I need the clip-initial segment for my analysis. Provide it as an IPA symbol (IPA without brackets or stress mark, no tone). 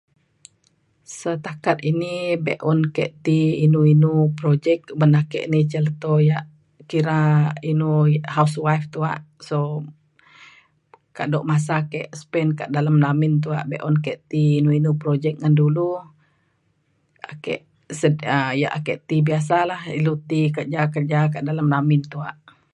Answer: s